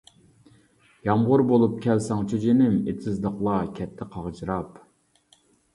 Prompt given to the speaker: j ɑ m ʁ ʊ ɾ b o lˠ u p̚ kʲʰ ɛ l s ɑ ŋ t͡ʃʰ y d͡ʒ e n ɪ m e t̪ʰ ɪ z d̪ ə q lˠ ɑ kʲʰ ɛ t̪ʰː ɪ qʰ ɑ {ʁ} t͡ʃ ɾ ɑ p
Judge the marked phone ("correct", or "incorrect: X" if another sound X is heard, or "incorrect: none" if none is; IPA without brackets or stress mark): correct